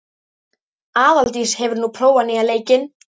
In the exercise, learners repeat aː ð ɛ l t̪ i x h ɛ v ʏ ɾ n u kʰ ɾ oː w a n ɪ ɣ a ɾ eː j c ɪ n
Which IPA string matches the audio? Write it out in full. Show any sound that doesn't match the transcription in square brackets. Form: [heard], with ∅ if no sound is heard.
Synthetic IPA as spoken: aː ð [a] l t̪ i [s] h ɛ v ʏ ɾ n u [pʰ] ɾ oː w a n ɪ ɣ a [l] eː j c ɪ n